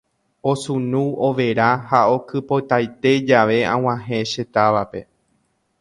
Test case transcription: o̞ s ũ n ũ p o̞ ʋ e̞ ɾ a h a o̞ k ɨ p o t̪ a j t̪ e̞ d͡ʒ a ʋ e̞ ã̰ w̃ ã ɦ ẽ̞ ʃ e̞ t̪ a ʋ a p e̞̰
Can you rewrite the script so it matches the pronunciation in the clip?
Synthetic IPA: o̞ s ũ n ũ o̞ ʋ e̞ ɾ a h a o̞ k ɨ p o t̪ a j t̪ e̞ d͡ʒ a ʋ e̞ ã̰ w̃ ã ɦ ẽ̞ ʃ e̞ t̪ a ʋ a p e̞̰